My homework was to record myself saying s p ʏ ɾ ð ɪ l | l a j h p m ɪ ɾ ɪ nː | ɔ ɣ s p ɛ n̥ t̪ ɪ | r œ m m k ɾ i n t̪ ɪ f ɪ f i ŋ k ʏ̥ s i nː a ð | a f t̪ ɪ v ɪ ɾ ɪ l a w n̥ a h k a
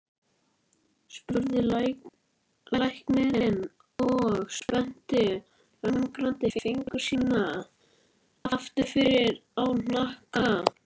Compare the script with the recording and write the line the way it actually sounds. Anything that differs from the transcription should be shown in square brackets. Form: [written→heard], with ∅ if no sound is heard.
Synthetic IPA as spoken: s p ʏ ɾ ð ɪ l | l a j h [p→k] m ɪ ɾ ɪ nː | ɔ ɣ s p ɛ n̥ t̪ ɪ | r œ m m k ɾ [i→a] n t̪ ɪ f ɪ f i ŋ k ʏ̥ s i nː a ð | a f t̪ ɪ [v→f] ɪ ɾ ɪ [l→ɾ] a w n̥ a h k a